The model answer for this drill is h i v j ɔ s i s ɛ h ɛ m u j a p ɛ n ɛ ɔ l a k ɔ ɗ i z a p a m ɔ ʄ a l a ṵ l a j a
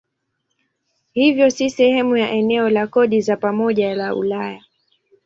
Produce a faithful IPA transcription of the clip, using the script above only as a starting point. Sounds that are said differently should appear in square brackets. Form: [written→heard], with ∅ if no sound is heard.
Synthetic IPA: h i v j ɔ s i s ɛ h ɛ m u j a [p→ʔ] ɛ n ɛ ɔ l a k ɔ ɗ i z a p a m ɔ ʄ a l a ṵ l a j a